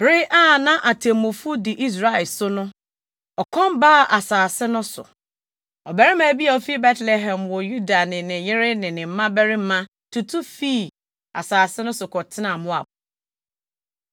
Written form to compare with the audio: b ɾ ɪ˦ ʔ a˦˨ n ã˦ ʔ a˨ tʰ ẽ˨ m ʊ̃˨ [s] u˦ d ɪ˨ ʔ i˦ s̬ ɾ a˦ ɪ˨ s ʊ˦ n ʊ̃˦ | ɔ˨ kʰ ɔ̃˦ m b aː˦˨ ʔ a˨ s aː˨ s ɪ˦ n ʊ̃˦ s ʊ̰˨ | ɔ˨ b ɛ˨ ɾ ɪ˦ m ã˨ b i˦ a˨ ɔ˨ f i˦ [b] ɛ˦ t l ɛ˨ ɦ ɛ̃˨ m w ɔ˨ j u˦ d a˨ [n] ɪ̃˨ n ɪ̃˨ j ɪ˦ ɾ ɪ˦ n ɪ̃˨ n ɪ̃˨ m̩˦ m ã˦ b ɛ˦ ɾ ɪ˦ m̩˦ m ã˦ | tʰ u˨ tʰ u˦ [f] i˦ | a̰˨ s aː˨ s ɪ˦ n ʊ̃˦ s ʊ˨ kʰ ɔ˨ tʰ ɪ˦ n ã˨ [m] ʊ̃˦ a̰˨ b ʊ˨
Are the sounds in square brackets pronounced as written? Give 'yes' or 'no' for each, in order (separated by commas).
no, yes, yes, yes, yes